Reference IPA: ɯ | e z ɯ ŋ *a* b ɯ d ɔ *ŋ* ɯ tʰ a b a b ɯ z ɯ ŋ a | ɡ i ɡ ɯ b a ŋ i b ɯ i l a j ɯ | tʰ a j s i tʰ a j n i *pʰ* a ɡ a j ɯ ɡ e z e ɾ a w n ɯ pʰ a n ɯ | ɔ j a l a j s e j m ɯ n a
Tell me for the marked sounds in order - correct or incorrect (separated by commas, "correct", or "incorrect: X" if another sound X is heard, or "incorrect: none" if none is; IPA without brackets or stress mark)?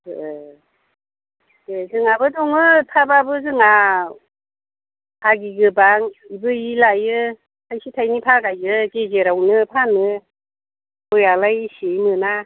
correct, correct, correct